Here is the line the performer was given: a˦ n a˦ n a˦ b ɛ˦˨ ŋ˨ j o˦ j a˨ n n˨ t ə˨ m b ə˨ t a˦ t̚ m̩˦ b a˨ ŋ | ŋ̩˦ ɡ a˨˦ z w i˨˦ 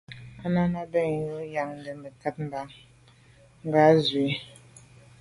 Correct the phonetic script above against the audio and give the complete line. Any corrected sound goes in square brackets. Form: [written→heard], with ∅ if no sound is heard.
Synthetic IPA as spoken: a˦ n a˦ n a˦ b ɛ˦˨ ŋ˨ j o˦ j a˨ [n→ŋ] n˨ [t→d] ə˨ m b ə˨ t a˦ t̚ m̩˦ b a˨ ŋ | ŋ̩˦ ɡ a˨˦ z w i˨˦